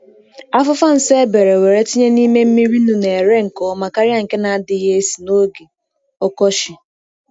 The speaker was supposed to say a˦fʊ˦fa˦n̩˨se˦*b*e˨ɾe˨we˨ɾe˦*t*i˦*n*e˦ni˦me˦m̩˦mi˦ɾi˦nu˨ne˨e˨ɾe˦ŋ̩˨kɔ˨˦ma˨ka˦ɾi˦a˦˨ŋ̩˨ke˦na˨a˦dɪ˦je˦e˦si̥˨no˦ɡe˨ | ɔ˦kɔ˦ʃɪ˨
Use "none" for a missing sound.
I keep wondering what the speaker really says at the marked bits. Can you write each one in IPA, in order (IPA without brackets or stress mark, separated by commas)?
b, t, ɲ